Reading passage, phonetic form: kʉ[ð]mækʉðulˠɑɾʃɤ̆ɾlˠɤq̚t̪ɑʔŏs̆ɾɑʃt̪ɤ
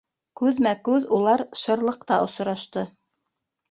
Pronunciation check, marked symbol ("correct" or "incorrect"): correct